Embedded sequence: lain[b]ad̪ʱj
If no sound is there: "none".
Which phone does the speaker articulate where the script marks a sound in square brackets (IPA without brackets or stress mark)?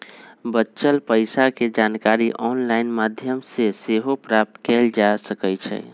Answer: m